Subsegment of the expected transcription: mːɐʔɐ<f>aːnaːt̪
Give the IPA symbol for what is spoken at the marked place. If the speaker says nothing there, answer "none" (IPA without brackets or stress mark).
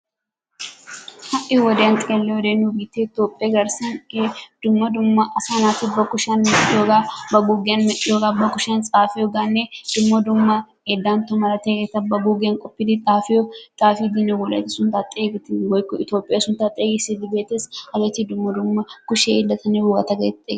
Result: s